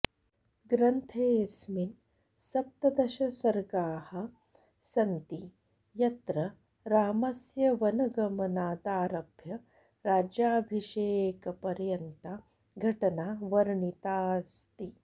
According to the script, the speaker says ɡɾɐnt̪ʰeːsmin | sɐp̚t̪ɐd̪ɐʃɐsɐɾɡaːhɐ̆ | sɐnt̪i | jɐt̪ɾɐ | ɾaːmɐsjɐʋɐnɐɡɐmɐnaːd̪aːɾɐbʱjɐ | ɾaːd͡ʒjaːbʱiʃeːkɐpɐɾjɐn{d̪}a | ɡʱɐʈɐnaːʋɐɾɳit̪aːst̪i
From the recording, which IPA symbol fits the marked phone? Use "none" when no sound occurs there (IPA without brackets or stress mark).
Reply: t̪